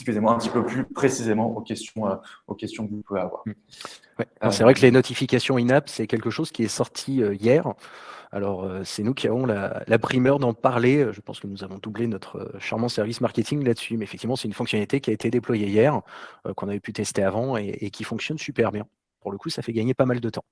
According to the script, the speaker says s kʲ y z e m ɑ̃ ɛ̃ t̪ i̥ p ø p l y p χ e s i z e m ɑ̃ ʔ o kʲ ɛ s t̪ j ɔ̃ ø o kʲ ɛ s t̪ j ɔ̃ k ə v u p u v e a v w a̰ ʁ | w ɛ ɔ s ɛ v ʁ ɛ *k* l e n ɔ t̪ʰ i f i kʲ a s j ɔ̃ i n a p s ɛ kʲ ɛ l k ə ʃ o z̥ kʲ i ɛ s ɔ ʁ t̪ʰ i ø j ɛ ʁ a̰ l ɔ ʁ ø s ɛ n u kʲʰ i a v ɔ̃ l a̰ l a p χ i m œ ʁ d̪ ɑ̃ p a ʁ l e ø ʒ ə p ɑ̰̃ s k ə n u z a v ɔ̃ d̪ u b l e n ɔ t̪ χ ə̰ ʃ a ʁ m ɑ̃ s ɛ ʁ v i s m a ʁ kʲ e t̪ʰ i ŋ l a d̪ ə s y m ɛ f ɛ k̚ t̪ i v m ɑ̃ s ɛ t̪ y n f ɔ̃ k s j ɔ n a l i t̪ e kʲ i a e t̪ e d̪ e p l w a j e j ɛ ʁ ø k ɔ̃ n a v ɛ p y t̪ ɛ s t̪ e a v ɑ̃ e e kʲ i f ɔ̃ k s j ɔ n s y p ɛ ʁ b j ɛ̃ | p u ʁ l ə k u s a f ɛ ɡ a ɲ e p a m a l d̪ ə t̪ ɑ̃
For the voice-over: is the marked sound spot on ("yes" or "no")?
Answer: yes